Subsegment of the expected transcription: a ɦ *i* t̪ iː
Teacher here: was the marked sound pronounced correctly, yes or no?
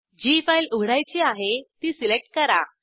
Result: no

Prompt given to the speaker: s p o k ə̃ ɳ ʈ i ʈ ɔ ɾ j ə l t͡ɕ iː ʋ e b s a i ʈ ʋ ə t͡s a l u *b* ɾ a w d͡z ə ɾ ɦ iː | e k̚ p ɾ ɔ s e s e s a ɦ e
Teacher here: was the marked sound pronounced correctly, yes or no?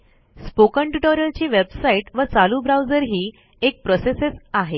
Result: yes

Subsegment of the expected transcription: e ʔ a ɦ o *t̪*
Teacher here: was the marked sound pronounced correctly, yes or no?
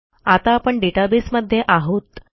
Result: yes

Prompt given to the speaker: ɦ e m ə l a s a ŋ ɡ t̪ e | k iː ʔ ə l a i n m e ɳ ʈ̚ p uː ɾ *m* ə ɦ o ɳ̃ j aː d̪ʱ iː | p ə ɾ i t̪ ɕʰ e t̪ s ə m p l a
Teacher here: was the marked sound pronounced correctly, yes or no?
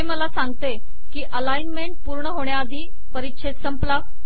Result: no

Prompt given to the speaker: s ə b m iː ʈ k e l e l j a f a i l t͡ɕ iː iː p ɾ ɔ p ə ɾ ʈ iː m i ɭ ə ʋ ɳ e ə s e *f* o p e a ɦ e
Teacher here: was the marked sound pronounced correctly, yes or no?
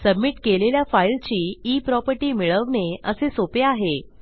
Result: no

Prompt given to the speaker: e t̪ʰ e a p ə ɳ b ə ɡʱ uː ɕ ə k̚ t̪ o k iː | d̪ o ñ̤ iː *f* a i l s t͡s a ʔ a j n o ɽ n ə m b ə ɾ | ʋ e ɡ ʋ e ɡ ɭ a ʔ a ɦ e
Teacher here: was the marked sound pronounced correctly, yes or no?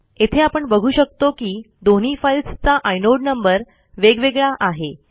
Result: yes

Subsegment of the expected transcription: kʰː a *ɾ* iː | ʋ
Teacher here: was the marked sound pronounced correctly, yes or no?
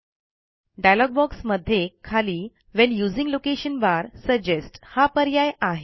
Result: no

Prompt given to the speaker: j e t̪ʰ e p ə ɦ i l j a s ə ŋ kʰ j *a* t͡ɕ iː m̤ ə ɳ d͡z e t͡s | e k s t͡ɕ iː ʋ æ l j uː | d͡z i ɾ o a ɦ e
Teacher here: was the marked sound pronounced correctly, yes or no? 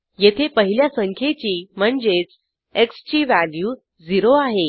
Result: no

